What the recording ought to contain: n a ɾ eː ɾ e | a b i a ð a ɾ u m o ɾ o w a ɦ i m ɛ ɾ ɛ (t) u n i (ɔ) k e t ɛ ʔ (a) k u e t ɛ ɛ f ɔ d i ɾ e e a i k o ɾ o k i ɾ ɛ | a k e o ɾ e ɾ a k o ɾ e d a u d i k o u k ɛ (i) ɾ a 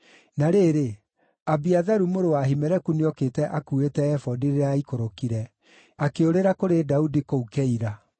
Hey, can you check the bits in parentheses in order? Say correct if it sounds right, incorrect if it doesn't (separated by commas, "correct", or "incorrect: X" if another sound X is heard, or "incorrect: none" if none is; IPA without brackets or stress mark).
incorrect: k, correct, correct, correct